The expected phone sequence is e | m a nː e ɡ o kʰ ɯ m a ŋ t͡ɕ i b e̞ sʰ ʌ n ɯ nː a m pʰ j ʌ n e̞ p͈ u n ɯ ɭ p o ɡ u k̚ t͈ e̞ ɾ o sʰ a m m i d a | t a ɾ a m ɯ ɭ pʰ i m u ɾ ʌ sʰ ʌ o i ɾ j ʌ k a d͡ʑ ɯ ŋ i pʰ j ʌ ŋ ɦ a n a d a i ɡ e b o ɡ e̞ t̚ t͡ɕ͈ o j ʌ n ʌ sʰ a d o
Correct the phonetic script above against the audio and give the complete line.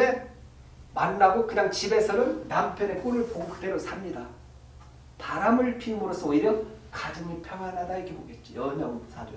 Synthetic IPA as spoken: e | m a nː a ɡ o k ɯ ɲ a ŋ t͡ɕ i b e̞ sʰ ʌ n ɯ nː a m pʰ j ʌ n e̞ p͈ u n ɯ ɭ p o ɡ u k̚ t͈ e̞ ɾ o sʰ a m ɲ i d a | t a ɾ a m ɯ ɭ pʰ i m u ɾ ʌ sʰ ʌ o i ɾ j ʌ k a d͡ʑ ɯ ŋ i pʰ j ʌ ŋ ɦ a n a d a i ɡ e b o ɡ e̞ t̚ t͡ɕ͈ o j ʌ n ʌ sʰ a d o